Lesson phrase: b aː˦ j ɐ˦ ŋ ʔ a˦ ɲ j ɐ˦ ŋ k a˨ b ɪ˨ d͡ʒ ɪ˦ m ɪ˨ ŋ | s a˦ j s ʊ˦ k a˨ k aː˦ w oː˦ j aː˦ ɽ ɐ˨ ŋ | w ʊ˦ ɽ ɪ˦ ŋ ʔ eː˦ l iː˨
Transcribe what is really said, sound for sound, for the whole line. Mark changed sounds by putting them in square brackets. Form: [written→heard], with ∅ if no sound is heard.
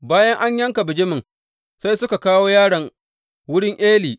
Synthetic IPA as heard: b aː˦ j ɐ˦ ŋ ʔ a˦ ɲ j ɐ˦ ŋ k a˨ b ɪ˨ d͡ʒ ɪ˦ m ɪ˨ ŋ | s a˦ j s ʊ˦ k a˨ k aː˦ w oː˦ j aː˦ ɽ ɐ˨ ŋ | w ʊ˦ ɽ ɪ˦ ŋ ʔ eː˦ l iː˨